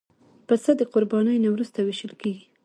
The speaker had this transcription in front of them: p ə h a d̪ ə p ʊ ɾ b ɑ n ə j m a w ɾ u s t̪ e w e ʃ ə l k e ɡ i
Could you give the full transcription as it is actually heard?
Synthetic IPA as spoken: p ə s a d̪ ə q ʊ ɾ b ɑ n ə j n a w ɾ u s t̪ a w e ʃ ə l k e ɡ i

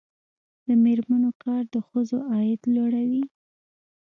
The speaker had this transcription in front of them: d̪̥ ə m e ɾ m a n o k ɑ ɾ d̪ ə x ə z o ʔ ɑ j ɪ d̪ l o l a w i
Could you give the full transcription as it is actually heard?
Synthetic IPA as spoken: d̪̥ ə m e ɾ m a n o k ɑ ɾ d̪ ə x ə z o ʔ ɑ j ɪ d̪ l o ɽ a w i

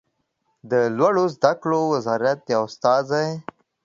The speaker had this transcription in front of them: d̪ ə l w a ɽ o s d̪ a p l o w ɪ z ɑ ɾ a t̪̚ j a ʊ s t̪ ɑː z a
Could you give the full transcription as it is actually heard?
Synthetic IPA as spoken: d̪ ə l w a ɽ o z d̪ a k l o w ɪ z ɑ ɾ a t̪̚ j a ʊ s t̪ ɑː z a

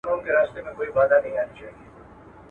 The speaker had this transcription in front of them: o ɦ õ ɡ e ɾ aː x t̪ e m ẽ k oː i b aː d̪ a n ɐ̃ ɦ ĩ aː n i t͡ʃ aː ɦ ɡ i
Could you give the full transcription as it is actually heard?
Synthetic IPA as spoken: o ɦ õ k e ɾ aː s t̪ e m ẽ k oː i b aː d̪ a n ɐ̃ ɦ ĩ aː n i t͡ʃ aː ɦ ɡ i

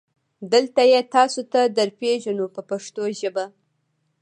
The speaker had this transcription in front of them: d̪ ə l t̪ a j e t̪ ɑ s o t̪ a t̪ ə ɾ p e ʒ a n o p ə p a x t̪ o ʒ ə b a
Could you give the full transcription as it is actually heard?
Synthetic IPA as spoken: d̪ ə l t̪ a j e t̪ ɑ s o t̪ a d̪ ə ɾ p e ʒ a n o p ə p a ʂ t̪ o ʒ ə b a

